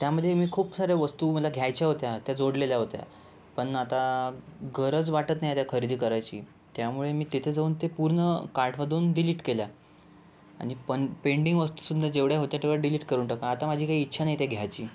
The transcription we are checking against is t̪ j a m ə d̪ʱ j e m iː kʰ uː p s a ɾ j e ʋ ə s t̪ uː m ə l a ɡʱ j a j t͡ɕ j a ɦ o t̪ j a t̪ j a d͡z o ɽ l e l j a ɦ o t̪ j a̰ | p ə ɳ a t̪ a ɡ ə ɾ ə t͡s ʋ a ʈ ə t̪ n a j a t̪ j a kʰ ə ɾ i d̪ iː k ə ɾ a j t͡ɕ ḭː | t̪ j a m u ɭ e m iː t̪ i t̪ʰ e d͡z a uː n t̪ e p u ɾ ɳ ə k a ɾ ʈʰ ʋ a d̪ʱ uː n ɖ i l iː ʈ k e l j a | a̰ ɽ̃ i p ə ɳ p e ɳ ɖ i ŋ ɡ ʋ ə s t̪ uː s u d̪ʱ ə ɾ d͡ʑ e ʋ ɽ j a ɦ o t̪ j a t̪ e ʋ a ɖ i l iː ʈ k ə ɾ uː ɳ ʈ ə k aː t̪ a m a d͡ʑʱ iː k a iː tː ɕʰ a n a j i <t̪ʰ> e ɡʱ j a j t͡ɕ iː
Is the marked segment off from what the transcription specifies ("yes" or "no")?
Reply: yes